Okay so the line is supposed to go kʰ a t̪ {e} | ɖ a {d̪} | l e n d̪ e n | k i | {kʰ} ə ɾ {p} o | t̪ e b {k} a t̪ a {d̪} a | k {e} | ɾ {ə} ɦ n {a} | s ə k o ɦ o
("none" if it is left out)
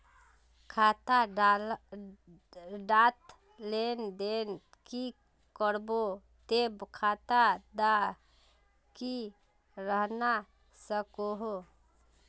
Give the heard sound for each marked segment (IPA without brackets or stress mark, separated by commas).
a, t̪, k, b, kʰ, d̪, i, ə, a